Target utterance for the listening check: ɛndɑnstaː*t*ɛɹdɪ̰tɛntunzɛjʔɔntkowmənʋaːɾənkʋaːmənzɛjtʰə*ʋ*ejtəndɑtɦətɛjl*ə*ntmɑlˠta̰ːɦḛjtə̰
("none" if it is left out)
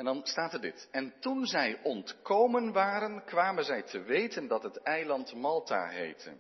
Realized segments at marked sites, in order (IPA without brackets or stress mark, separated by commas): t, ʋ, ɑ